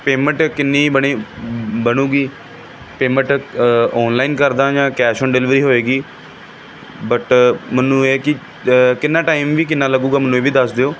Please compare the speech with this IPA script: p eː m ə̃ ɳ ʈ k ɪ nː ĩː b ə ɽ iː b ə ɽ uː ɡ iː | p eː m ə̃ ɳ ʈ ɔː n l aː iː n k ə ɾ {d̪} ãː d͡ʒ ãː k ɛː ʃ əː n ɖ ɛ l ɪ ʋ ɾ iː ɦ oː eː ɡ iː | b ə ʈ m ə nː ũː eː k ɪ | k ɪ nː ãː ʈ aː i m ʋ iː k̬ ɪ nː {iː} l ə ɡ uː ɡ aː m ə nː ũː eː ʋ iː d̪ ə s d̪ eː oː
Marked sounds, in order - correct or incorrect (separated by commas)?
correct, incorrect